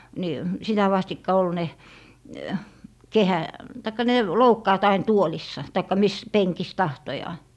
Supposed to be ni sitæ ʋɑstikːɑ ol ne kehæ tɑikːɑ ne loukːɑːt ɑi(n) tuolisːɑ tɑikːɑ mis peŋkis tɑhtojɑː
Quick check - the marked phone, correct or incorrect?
correct